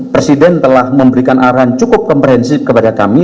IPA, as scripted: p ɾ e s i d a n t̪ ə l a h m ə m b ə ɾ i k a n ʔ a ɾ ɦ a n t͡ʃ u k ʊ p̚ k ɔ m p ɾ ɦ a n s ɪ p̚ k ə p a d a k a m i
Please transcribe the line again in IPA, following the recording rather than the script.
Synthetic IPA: p ɾ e s i d ɛ n t̪ ə l a h m ə m b ə ɾ i k a n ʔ a ɾ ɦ a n t͡ʃ u k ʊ p̚ k ɔ m p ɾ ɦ ɛ n s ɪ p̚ k ə p a d a k a m i